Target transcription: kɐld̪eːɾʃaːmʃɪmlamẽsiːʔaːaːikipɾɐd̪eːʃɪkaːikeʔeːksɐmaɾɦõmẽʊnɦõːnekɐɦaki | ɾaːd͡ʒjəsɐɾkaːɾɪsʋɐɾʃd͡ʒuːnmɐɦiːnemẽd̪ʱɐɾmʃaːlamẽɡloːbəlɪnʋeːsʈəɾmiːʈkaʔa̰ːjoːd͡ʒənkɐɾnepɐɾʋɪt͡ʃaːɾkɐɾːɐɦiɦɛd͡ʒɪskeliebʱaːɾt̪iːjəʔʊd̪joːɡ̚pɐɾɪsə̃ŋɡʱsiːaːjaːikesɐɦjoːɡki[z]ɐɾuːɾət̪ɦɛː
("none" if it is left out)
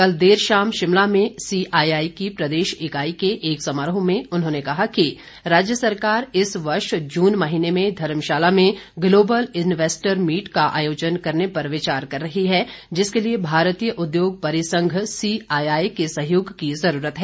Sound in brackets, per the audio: z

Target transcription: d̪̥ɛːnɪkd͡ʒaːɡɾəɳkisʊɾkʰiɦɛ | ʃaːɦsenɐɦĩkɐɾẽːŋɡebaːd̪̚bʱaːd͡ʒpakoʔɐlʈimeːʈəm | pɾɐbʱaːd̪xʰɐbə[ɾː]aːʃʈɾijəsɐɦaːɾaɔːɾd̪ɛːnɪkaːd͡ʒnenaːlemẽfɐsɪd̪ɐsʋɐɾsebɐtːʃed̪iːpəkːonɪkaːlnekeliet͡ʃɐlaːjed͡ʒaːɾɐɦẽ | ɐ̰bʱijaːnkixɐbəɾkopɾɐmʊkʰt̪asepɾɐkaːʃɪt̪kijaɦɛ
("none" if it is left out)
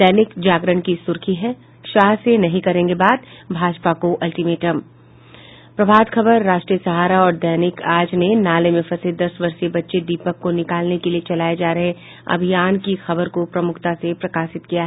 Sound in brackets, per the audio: ɾː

